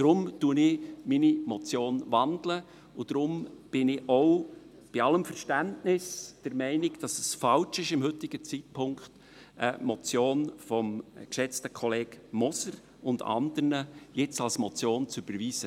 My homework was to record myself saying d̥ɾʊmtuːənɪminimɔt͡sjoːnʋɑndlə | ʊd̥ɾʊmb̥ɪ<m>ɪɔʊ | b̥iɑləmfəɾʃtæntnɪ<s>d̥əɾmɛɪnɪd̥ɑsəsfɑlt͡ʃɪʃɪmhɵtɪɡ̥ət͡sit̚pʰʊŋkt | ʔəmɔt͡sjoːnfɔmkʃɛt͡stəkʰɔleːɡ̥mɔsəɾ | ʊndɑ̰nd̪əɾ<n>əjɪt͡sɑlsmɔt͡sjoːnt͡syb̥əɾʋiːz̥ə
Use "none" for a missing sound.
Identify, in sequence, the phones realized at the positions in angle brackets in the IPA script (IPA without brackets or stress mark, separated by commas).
n, s, n